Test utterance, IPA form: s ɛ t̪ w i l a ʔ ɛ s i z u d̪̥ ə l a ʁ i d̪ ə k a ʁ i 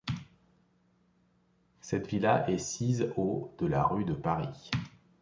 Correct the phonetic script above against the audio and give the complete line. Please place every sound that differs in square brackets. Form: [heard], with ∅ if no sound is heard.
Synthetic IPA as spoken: s ɛ t̪ [v] i l a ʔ ɛ s i z [o] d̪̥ ə l a ʁ [y] d̪ ə [p] a ʁ i